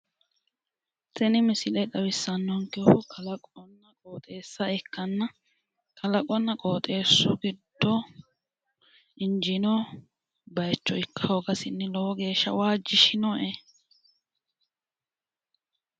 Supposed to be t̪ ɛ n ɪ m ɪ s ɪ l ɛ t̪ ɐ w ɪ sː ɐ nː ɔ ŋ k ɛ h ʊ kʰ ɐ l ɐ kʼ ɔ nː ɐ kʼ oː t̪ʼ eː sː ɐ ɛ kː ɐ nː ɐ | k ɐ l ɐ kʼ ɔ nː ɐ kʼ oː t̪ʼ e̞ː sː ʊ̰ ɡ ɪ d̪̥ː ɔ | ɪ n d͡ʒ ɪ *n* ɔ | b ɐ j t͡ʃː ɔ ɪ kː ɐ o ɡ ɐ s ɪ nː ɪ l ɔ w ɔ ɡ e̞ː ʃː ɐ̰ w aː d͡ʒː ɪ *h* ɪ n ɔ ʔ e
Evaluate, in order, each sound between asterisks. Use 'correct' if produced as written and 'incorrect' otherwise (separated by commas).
correct, incorrect